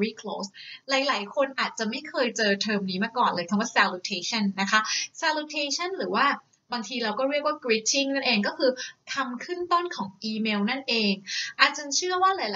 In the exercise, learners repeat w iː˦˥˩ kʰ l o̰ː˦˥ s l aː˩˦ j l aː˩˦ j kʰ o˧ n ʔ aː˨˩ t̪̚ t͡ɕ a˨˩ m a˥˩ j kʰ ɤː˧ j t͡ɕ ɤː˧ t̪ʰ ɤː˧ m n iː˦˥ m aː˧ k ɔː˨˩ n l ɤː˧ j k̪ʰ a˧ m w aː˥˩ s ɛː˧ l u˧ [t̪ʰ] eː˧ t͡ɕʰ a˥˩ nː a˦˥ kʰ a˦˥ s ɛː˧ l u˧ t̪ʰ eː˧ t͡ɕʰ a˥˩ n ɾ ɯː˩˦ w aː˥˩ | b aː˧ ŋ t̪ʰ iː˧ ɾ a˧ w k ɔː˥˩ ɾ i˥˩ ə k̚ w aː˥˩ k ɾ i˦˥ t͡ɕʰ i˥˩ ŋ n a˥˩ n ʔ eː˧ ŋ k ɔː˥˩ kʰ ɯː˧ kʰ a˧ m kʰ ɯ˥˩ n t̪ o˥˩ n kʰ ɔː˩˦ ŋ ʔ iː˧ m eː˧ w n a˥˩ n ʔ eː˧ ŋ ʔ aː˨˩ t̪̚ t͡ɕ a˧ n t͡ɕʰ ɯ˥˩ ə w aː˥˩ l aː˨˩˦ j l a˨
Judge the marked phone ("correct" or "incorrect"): correct